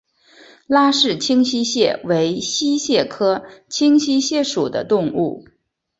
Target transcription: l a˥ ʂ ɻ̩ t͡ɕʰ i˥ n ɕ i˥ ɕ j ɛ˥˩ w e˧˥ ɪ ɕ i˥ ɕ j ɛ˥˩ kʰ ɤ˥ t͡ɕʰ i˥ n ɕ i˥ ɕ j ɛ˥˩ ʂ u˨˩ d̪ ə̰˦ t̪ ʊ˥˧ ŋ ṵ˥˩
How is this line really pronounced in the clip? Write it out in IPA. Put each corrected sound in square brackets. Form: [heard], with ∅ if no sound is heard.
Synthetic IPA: l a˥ ʂ ɻ̩ t͡ɕʰ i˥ [ŋ] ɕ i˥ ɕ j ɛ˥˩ w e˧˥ ɪ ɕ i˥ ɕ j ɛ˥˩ kʰ ɤ˥ t͡ɕʰ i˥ [ŋ] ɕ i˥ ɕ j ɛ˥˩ ʂ u˨˩ d̪ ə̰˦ t̪ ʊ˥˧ ŋ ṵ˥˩